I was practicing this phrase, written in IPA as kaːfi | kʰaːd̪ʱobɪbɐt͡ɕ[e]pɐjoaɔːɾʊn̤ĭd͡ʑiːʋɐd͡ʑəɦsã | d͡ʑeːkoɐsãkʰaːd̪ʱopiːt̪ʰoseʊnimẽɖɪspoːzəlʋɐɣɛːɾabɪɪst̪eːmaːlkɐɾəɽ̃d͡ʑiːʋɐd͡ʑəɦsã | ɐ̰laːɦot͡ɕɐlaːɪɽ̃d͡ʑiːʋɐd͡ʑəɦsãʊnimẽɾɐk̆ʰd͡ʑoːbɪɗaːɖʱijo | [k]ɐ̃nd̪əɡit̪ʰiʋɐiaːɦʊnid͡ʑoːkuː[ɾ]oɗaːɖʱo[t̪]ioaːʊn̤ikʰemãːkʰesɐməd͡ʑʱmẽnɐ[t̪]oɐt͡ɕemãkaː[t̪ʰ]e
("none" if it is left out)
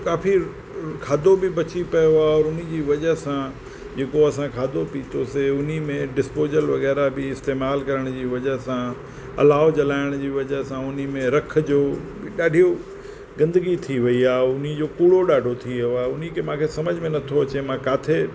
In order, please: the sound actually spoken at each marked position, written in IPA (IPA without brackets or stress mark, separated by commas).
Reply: i, ɡ, ɽ, t̪ʰ, t̪ʰ, t̪ʰ